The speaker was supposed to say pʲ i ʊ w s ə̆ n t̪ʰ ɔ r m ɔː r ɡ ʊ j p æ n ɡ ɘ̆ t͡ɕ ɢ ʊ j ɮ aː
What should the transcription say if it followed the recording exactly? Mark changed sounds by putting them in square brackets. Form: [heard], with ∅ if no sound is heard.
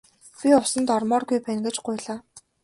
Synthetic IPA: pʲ i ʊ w s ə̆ n [t̪] ɔ r m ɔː r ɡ [u] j p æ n ɡ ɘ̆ t͡ɕ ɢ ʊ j ɮ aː